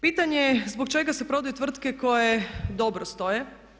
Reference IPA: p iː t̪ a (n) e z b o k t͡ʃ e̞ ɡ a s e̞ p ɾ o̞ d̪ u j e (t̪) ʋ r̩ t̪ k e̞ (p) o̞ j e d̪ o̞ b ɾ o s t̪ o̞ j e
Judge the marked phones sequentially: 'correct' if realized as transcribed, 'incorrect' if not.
incorrect: ɲ, correct, incorrect: k

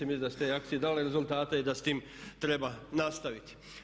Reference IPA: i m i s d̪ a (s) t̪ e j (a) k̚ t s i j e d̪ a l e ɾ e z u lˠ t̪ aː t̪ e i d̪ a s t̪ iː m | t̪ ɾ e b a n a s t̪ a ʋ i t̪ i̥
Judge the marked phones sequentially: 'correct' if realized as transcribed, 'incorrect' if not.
correct, correct

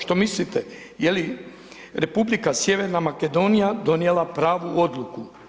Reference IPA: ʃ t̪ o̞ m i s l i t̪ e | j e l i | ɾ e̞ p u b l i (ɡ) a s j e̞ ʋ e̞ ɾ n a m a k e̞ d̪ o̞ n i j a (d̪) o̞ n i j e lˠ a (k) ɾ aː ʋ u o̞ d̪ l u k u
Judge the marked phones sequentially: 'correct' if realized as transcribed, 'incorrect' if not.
incorrect: k, correct, incorrect: p

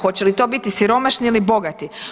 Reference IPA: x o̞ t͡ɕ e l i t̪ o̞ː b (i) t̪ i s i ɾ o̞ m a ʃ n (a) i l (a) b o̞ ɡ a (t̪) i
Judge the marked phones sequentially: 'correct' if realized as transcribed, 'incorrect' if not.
correct, incorrect: i, incorrect: i, correct

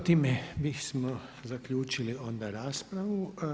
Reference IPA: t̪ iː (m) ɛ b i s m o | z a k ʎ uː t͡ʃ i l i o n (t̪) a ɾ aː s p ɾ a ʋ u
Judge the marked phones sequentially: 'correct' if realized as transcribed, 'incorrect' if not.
correct, incorrect: d̪

